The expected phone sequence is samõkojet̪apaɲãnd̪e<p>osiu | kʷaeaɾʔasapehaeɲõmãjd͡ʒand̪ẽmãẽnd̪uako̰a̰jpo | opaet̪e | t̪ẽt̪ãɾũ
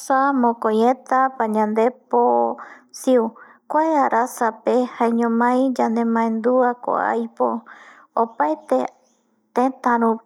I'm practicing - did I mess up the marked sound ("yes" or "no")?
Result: no